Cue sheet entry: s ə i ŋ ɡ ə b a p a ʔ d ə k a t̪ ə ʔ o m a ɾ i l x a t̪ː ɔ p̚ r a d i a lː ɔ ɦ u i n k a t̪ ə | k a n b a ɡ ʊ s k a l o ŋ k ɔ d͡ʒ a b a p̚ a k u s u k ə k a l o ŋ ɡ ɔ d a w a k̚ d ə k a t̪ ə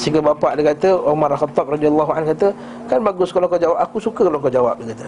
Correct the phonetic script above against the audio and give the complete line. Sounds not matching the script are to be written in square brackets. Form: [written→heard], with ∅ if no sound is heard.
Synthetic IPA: s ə i ŋ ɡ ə b a p a ʔ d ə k a t̪ ə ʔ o m a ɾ [i→a] l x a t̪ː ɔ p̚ r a d i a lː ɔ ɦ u [i→a] n k a t̪ ə | k a n b a ɡ ʊ s k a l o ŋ k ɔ d͡ʒ a [b→w] a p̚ a k u s u k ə k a l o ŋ [ɡ→k] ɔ [d→d͡ʒ] a w a [k̚→p̚] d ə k a t̪ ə